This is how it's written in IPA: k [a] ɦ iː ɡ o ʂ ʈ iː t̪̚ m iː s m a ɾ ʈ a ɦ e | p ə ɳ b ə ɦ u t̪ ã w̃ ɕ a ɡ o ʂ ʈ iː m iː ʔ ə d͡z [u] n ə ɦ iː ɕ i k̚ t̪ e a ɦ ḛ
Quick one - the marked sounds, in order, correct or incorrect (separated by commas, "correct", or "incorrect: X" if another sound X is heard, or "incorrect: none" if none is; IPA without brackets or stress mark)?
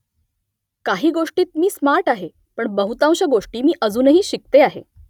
correct, incorrect: uː